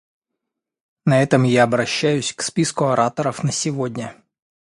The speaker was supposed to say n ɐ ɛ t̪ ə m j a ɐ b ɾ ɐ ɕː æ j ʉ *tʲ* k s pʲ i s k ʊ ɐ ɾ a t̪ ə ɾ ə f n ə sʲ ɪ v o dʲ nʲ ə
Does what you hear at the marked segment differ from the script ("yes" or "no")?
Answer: yes